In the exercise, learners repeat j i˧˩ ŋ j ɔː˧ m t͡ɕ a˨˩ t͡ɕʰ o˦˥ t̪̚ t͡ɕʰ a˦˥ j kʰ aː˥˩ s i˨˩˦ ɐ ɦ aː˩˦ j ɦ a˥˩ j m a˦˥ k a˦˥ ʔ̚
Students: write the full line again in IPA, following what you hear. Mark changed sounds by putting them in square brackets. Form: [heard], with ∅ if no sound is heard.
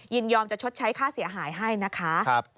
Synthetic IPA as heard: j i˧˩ [n] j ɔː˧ m t͡ɕ a˨˩ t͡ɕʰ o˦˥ t̪̚ t͡ɕʰ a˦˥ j kʰ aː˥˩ s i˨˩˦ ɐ ɦ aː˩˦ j ɦ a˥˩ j [n] a˦˥ [kʰ] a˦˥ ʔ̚